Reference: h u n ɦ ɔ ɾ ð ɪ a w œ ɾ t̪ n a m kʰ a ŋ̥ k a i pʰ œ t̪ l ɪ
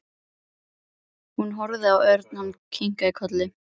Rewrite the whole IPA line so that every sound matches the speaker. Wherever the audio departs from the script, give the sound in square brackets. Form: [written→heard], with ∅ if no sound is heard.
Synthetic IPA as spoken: h u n ɦ ɔ ɾ ð ɪ a w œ ɾ t̪ n a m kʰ [a→i] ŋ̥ k a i [pʰ→kʰ] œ t̪ l ɪ